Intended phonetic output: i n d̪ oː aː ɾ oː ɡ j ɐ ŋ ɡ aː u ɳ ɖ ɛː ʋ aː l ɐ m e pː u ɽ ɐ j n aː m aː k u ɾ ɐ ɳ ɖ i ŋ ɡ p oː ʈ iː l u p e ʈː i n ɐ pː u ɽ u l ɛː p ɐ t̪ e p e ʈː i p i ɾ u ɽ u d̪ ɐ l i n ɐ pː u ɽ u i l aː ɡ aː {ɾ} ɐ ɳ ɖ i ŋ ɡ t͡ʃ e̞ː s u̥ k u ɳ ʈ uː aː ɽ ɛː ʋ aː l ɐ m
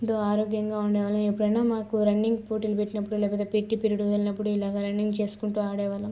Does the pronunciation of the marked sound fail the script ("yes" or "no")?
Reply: no